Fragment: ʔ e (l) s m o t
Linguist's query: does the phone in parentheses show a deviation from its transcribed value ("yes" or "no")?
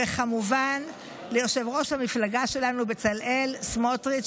no